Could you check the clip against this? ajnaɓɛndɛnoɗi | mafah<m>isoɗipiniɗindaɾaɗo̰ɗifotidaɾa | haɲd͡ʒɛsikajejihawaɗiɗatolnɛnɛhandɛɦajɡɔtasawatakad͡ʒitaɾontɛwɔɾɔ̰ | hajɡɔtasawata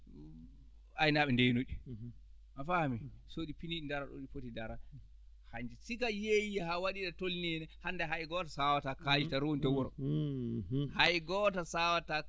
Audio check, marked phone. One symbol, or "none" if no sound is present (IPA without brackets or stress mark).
m